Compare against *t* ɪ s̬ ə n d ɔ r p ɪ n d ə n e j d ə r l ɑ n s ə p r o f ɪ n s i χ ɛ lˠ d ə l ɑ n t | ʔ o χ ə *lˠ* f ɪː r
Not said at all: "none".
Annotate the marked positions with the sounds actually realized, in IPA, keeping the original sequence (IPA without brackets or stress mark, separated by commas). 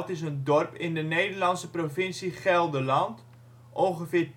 t, none